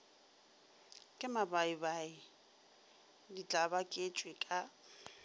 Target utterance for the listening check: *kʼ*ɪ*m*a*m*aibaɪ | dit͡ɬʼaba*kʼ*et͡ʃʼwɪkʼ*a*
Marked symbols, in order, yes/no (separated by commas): yes, yes, no, yes, yes